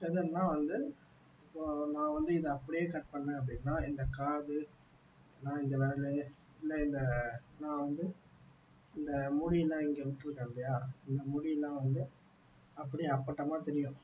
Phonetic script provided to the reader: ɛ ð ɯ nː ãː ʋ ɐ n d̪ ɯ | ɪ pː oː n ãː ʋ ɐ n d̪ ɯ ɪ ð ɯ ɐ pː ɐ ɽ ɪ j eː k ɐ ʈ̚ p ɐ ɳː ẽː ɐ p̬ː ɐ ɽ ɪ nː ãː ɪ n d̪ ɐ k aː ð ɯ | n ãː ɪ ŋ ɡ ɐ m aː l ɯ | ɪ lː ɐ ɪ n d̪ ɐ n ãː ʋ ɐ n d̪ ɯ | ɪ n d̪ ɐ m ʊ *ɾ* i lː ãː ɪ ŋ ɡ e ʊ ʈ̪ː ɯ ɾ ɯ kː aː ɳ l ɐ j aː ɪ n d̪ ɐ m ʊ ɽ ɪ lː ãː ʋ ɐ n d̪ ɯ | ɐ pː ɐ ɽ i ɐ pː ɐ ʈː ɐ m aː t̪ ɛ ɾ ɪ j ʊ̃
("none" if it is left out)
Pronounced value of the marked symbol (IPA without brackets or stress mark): ɽ